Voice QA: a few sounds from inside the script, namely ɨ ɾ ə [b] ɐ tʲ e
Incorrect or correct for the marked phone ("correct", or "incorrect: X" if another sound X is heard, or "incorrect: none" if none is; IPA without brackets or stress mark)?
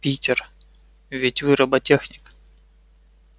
correct